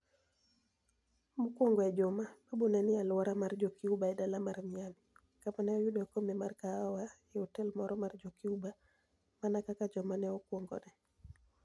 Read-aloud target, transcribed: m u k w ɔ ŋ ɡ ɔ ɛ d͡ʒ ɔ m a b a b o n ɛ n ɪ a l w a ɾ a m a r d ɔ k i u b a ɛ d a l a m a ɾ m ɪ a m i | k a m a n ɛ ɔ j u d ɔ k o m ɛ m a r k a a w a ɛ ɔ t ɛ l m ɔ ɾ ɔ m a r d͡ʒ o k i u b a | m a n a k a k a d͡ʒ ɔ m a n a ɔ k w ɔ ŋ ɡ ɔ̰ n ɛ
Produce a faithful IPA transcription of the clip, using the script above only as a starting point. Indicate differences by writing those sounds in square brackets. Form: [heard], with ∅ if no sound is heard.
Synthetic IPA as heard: m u k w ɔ ŋ ɡ ɔ ɛ d͡ʒ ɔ m a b a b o n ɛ n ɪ a l w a ɾ a m a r [d͡ʒ] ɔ k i u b a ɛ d a l a m a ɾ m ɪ a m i | k a m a n ɛ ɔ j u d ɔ k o m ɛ m a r k a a w a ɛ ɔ t ɛ l m ɔ ɾ ɔ m a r d͡ʒ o k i u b a | m a n a k a k a d͡ʒ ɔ m a n [ɛ] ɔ k w ɔ ŋ ɡ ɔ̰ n ɛ